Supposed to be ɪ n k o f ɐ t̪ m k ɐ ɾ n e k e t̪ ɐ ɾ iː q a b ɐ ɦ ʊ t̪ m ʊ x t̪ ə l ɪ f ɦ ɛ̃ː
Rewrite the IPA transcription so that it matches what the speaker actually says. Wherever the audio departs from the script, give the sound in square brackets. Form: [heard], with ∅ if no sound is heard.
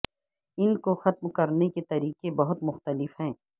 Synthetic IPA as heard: ɪ n k o [x] ɐ t̪ m k ɐ ɾ n e k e t̪ ɐ ɾ iː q [e] b ɐ ɦ ʊ t̪ m ʊ x t̪ ə l ɪ f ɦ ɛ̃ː